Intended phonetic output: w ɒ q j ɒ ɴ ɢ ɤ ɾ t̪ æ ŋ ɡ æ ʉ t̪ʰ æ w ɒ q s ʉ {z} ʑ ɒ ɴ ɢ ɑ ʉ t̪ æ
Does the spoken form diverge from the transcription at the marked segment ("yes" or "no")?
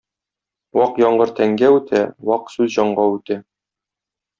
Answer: no